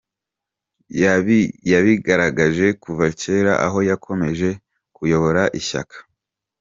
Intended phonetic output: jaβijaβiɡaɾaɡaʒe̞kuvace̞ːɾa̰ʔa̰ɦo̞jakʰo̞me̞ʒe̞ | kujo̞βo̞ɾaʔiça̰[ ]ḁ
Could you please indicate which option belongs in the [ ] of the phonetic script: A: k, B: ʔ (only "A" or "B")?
A